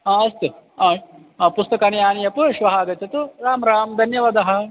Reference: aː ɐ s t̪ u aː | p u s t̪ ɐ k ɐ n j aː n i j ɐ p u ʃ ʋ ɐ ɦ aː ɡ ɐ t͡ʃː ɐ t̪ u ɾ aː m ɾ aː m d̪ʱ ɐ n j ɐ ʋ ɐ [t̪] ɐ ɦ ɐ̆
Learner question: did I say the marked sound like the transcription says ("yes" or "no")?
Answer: no